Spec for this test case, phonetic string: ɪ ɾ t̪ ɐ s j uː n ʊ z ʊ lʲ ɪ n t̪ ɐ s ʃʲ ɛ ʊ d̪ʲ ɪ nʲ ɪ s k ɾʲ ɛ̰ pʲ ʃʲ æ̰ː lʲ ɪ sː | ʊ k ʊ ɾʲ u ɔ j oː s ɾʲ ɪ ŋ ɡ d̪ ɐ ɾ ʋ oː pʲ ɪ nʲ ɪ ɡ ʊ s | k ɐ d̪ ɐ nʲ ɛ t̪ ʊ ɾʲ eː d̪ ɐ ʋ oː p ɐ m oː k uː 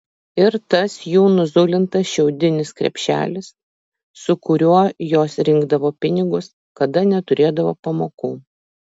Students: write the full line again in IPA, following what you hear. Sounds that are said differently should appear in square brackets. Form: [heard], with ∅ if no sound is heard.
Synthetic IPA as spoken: ɪ ɾ t̪ ɐ s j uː n ʊ z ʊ lʲ ɪ n t̪ ɐ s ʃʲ ɛ ʊ d̪ʲ ɪ nʲ ɪ s k ɾʲ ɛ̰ pʲ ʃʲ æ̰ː lʲ ɪ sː | ʊ k ʊ ɾʲ u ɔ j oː s ɾʲ ɪ ŋ ɡ d̪ ɐ [∅] ʋ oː pʲ ɪ nʲ ɪ ɡ ʊ s | k ɐ d̪ ɐ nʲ ɛ t̪ ʊ ɾʲ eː d̪ ɐ ʋ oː p ɐ m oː k uː

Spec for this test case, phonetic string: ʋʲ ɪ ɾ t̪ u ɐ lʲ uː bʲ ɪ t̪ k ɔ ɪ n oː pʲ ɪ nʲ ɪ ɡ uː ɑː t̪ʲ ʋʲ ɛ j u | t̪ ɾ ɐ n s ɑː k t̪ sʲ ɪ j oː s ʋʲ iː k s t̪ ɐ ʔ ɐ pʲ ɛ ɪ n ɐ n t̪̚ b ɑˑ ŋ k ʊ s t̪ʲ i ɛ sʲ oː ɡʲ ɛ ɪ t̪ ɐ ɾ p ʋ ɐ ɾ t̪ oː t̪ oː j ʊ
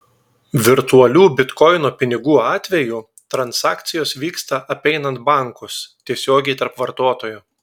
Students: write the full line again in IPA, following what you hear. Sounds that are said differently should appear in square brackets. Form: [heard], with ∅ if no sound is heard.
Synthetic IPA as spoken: ʋʲ ɪ ɾ t̪ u ɐ lʲ uː bʲ ɪ t̪ k ɔ ɪ n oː pʲ ɪ nʲ ɪ ɡ uː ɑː t̪ʲ ʋʲ ɛ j u | t̪ ɾ ɐ n s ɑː k t̪ sʲ ɪ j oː s ʋʲ iː k s t̪ ɐ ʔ ɐ pʲ ɛ ɪ n ɐ n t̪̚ b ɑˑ ŋ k ʊ s t̪ʲ i ɛ sʲ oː ɡʲ ɛ ɪ t̪ ɐ ɾ p ʋ ɐ ɾ t̪ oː t̪ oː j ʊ

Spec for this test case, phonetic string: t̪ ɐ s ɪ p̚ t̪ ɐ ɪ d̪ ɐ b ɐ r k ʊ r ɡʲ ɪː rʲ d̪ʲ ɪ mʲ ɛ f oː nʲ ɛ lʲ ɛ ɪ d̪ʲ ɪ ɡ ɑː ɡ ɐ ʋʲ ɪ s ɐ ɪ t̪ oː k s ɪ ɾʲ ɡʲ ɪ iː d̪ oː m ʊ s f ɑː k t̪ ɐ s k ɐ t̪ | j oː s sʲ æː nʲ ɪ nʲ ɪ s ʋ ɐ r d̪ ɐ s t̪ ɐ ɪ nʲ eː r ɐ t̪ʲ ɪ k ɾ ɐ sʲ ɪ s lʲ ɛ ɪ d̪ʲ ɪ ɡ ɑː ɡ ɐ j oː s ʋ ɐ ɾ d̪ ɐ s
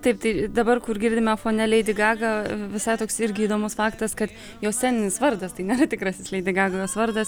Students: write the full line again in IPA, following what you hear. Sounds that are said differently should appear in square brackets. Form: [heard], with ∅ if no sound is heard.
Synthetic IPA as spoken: t̪ ɐ [∅] ɪ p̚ t̪ ɐ ɪ d̪ ɐ b ɐ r k ʊ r ɡʲ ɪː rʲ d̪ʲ ɪ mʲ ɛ f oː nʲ ɛ lʲ ɛ ɪ d̪ʲ ɪ ɡ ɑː ɡ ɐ ʋʲ ɪ s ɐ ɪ t̪ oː k s ɪ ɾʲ ɡʲ ɪ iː d̪ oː m ʊ s f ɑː k t̪ ɐ s k ɐ t̪ | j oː s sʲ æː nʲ ɪ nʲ ɪ s ʋ ɐ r d̪ ɐ s t̪ ɐ ɪ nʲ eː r ɐ t̪ʲ ɪ k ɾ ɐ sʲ ɪ s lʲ ɛ ɪ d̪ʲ ɪ ɡ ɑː ɡ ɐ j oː s ʋ ɐ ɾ d̪ ɐ s

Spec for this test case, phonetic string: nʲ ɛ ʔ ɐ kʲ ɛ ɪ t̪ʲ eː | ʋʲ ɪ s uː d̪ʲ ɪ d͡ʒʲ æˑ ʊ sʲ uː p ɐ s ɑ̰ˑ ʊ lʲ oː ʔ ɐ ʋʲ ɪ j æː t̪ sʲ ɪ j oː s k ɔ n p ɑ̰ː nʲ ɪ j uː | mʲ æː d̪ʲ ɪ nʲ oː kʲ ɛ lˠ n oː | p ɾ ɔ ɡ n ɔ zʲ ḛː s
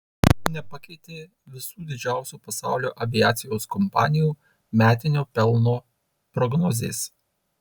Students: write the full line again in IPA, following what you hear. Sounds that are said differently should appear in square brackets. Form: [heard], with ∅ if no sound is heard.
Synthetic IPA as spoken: nʲ ɛ [p] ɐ kʲ ɛ ɪ t̪ʲ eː | ʋʲ ɪ s uː d̪ʲ ɪ d͡ʒʲ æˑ ʊ sʲ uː p ɐ s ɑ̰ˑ ʊ lʲ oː ʔ ɐ ʋʲ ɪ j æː t̪ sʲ ɪ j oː s k ɔ [m] p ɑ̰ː nʲ ɪ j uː | mʲ æː [t̪ʲ] ɪ nʲ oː [pʲ] ɛ lˠ n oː | p ɾ ɔ ɡ n ɔ zʲ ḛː s

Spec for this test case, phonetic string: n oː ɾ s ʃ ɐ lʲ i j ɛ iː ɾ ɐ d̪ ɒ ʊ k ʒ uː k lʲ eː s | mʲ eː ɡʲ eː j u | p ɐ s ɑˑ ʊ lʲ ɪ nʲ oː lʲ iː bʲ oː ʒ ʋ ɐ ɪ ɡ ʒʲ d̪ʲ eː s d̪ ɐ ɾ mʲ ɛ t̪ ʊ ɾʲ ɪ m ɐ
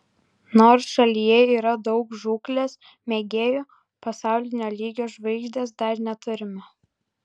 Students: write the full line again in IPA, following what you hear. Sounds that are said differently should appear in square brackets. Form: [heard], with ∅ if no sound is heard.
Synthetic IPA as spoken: n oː ɾ s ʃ ɐ lʲ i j ɛ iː ɾ ɐ d̪ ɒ ʊ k ʒ uː k lʲ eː s | mʲ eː ɡʲ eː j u | p ɐ s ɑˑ ʊ lʲ ɪ nʲ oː lʲ iː [ɡʲ] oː ʒ ʋ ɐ ɪ ɡ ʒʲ d̪ʲ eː s d̪ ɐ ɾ [nʲ] ɛ t̪ ʊ ɾʲ ɪ m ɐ

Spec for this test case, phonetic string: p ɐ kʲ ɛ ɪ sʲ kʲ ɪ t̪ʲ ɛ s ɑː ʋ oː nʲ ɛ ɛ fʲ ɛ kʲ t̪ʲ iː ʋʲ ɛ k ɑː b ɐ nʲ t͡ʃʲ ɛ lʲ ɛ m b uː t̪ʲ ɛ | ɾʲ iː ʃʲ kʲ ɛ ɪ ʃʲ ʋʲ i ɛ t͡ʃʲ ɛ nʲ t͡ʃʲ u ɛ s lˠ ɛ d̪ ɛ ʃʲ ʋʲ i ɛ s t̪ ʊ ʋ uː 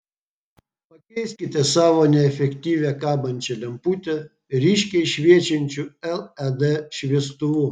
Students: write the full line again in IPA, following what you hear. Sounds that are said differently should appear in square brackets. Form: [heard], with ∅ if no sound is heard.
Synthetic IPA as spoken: p ɐ kʲ ɛ ɪ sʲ kʲ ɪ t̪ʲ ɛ s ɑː ʋ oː nʲ ɛ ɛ fʲ ɛ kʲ t̪ʲ iː ʋʲ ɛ k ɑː b ɐ nʲ t͡ʃʲ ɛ lʲ ɛ m [p] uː t̪ʲ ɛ | ɾʲ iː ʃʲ kʲ ɛ ɪ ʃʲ ʋʲ i ɛ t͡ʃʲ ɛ nʲ t͡ʃʲ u ɛ [∅] lˠ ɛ d̪ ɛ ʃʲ ʋʲ i ɛ s t̪ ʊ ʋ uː

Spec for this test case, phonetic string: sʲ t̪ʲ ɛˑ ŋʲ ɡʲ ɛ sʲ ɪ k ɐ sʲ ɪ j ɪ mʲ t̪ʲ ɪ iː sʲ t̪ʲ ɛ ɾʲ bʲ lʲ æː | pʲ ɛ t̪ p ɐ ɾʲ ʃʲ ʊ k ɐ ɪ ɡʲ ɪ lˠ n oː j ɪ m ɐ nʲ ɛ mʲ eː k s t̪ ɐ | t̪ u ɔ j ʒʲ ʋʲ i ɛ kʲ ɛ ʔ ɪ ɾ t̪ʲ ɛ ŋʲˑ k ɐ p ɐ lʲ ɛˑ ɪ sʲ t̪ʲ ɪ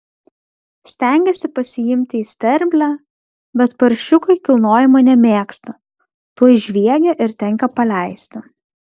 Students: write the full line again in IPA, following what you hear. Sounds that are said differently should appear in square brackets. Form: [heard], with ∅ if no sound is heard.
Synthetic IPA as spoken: sʲ t̪ʲ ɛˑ ŋʲ ɡʲ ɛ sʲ ɪ [p] ɐ sʲ ɪ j ɪ mʲ t̪ʲ ɪ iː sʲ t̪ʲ ɛ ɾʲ bʲ lʲ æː | [bʲ] ɛ t̪ p ɐ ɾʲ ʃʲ ʊ k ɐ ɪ [kʲ] ɪ lˠ n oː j ɪ m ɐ nʲ ɛ mʲ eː k s t̪ ɐ | t̪ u ɔ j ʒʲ ʋʲ i ɛ [ɡʲ] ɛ ʔ ɪ ɾ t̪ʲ ɛ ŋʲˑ k ɐ p ɐ lʲ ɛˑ ɪ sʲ t̪ʲ ɪ

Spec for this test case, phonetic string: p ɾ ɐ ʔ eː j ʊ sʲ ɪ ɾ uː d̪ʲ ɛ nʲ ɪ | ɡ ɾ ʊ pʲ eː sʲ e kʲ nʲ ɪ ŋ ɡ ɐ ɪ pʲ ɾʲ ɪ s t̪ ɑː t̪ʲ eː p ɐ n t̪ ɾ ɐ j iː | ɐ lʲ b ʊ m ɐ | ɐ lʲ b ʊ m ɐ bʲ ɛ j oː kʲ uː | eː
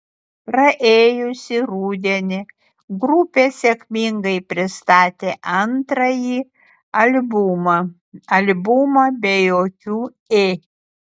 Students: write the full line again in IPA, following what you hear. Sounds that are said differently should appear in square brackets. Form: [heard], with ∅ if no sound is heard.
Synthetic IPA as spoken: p ɾ ɐ ʔ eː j ʊ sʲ ɪ ɾ uː d̪ʲ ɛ nʲ ɪ | ɡ ɾ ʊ pʲ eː sʲ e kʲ [mʲ] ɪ ŋ ɡ ɐ ɪ pʲ ɾʲ ɪ s t̪ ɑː t̪ʲ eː [ʔ] ɐ n t̪ ɾ ɐ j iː | ɐ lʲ b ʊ m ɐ | ɐ lʲ b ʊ m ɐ bʲ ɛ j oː kʲ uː | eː

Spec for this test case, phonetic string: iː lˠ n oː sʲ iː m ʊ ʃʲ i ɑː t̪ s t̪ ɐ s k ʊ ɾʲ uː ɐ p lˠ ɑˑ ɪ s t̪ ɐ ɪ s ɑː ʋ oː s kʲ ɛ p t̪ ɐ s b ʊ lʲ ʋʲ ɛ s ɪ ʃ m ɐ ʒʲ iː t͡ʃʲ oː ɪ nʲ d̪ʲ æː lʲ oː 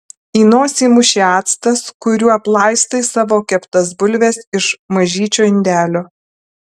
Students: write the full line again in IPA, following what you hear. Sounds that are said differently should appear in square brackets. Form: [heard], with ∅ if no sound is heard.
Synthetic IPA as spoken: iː [∅] n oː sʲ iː m ʊ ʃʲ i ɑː t̪ s t̪ ɐ s k ʊ ɾʲ uː ɐ p lˠ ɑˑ ɪ s t̪ ɐ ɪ s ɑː ʋ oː [∅] kʲ ɛ p t̪ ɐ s b ʊ lʲ ʋʲ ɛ s ɪ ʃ m ɐ ʒʲ iː t͡ʃʲ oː ɪ nʲ d̪ʲ æː lʲ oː

